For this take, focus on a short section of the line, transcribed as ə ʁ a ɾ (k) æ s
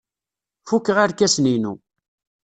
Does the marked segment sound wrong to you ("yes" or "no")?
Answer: no